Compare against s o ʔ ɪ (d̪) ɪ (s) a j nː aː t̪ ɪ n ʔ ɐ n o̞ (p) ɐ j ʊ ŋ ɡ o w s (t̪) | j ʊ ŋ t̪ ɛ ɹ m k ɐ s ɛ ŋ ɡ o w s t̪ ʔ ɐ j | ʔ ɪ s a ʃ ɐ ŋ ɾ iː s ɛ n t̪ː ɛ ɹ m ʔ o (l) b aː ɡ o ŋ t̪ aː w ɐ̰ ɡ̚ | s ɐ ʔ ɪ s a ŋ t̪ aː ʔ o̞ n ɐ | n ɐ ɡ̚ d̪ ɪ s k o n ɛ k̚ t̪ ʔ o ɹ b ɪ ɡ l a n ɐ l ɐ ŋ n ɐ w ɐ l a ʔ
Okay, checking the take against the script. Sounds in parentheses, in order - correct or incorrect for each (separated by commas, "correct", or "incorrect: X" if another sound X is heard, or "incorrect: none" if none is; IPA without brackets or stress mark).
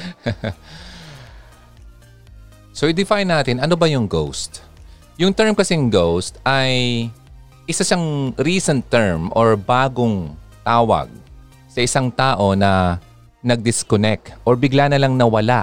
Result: correct, incorrect: f, incorrect: b, correct, incorrect: ɹ